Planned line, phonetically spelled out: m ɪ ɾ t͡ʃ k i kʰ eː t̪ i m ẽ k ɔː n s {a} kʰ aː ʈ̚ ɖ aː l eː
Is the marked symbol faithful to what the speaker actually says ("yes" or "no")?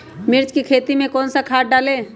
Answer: yes